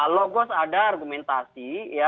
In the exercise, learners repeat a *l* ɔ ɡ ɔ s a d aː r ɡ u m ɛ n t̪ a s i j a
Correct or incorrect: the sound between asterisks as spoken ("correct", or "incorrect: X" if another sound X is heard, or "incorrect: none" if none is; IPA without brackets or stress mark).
correct